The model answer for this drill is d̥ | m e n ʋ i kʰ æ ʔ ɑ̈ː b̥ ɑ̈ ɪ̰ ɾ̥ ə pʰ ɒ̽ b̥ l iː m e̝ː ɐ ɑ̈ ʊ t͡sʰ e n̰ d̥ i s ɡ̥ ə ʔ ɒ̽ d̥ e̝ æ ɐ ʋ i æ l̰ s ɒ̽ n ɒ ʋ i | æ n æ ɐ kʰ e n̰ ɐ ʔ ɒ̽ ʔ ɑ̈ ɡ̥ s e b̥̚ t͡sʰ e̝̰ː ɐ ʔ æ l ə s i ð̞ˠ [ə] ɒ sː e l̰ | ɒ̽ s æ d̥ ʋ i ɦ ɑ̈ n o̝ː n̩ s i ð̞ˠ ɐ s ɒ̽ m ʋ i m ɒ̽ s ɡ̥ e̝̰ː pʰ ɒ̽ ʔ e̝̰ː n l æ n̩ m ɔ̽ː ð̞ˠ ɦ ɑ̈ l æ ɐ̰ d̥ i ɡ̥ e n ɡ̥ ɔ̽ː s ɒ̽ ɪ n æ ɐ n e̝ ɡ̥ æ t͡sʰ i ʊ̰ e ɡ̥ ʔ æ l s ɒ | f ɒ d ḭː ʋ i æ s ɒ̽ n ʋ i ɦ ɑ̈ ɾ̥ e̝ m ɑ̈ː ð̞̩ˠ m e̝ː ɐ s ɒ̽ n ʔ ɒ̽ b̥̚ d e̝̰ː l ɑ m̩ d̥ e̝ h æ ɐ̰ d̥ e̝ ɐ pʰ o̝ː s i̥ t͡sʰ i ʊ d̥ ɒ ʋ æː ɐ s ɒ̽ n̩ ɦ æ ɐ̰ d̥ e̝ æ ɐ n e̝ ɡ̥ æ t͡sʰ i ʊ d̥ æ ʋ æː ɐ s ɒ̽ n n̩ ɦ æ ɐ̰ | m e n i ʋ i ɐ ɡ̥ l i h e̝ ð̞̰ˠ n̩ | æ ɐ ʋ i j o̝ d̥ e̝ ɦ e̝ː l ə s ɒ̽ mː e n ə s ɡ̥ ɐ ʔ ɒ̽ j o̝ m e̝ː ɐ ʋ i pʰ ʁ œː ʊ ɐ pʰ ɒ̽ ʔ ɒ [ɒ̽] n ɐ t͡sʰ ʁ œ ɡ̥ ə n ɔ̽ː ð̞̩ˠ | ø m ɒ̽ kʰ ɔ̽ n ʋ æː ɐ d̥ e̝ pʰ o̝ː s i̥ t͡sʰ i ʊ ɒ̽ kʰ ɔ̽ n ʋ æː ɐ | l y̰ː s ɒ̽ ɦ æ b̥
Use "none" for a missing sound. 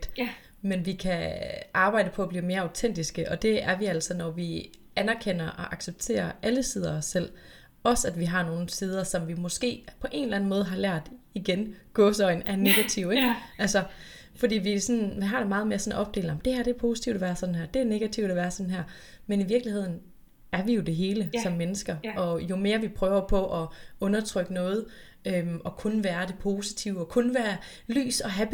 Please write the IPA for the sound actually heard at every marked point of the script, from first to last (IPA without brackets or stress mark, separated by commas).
ɐ, ɔ̽